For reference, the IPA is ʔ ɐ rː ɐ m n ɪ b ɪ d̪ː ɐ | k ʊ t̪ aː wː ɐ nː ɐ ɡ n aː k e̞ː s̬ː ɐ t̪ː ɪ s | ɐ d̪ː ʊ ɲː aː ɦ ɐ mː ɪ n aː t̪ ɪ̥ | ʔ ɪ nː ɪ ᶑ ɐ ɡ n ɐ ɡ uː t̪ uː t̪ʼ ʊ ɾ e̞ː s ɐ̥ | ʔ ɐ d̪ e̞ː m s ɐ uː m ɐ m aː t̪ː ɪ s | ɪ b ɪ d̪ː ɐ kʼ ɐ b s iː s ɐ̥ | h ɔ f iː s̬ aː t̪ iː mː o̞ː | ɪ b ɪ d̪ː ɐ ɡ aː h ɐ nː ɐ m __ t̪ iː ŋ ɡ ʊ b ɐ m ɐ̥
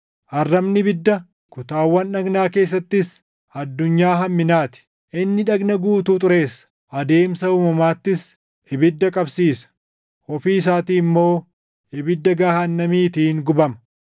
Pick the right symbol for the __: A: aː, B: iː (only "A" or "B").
B